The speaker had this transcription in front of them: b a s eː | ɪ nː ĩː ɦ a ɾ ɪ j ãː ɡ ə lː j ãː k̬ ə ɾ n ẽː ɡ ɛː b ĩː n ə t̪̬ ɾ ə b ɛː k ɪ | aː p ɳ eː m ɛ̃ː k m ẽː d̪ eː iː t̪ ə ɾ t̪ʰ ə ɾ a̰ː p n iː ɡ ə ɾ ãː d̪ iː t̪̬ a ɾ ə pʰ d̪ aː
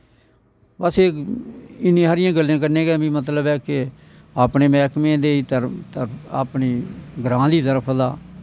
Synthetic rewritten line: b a s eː | ɪ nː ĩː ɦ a ɾ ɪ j ãː ɡ ə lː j ãː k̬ ə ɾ n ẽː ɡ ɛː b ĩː m ə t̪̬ l ə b ɛː k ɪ | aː p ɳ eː m ɛː k m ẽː d̪ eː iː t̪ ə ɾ t̪ ə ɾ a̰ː p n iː ɡ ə ɾ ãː d̪ iː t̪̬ ə ɾ ə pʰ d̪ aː

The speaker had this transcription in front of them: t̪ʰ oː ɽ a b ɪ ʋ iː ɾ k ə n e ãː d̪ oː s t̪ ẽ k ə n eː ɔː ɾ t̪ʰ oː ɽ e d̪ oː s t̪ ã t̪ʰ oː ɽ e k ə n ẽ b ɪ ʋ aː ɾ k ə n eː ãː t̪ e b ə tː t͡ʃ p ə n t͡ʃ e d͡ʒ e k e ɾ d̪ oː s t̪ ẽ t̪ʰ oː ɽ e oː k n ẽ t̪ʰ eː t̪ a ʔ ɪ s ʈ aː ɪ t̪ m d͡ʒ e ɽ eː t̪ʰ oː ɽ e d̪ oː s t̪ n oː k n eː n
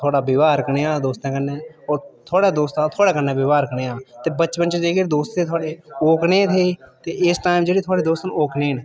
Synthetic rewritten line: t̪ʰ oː ɽ a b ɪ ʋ aː ɾ k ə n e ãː d̪ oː s t̪ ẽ k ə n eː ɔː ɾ t̪ʰ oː ɽ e d̪ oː s t̪ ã t̪ʰ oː ɽ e k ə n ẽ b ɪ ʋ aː ɾ k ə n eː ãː t̪ e b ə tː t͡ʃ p ə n t͡ʃ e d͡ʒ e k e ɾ d̪ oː s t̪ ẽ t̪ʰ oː ɽ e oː k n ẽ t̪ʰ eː t̪ e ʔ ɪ s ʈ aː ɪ m d͡ʒ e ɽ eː t̪ʰ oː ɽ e d̪ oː s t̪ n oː k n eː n

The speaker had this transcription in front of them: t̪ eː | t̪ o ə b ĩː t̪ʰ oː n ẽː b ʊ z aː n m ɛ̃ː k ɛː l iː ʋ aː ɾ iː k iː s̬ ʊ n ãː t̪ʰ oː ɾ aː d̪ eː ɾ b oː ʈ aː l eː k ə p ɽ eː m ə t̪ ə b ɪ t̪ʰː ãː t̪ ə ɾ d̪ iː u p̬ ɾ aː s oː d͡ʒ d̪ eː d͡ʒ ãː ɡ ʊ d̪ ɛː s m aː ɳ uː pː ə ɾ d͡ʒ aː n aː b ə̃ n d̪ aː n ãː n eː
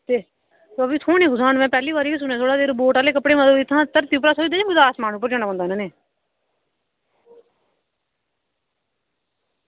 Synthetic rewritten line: t̪ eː | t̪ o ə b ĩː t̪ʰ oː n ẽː ɡ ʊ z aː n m ɛ̃ː p ɛː l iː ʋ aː ɾ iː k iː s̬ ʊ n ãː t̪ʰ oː ɽ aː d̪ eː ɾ b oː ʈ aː l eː k ə p ɽ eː m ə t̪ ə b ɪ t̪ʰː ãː t̪ ə ɾ t̪ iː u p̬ ɾ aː s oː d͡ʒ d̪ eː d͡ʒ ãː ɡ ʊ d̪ aː s m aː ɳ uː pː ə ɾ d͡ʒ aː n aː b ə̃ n d̪ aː n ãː n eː

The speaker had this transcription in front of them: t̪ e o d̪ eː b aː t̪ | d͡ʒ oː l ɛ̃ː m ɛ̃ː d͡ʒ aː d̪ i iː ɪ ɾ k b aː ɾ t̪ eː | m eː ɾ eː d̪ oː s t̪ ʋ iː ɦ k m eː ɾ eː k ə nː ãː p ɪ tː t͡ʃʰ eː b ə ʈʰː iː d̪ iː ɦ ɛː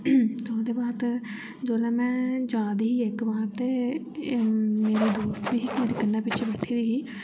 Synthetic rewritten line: t̪ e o d̪ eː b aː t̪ | d͡ʒ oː l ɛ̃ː m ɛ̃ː d͡ʒ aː d̪ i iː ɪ k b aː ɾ t̪ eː | m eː ɾ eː d̪ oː s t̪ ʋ iː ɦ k m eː ɾ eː k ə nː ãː p ɪ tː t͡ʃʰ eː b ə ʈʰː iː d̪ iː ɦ iː

